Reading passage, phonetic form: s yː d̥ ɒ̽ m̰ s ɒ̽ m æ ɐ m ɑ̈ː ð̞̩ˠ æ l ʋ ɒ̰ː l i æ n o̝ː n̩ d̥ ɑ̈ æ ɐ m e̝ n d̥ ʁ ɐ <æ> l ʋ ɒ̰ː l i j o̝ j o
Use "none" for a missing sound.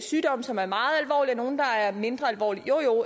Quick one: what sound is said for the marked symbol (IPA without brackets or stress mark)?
æ